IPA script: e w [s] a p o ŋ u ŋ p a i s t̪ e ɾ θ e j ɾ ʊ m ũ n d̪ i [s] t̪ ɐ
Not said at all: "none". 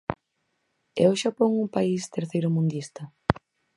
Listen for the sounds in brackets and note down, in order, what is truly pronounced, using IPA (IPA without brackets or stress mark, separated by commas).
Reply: ʃ, s